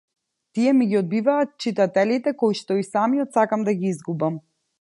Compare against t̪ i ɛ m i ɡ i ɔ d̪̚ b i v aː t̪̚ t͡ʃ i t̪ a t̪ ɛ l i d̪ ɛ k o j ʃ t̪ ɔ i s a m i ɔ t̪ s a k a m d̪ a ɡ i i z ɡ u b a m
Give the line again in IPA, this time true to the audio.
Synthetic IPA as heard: t̪ i ɛ m i ɡ i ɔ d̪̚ b i v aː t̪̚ t͡ʃ i t̪ a t̪ ɛ l i t̪ ɛ k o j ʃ t̪ ɔ i s a m i ɔ t̪ s a k a m d̪ a ɡ i i z ɡ u b a m